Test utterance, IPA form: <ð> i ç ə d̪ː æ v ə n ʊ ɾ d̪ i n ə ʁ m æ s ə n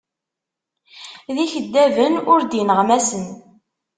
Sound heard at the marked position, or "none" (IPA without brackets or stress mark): ð